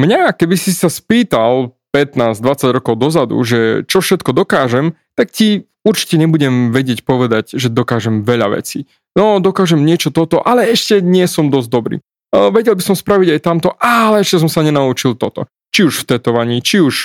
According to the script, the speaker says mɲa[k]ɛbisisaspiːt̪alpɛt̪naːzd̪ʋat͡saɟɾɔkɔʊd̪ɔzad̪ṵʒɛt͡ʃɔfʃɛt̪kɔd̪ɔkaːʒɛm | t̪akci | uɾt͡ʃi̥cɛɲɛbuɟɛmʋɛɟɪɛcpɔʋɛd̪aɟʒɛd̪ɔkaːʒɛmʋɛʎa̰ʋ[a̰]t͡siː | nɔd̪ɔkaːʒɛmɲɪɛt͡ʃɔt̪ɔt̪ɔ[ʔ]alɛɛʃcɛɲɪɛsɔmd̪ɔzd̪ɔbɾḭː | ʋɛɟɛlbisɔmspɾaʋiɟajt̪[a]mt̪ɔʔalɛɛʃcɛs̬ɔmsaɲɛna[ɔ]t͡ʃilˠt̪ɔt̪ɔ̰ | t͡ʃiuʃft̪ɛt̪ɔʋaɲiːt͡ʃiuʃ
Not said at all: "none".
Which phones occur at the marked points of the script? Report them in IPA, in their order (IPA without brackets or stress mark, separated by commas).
k, ɛ̰, ʔ, a, u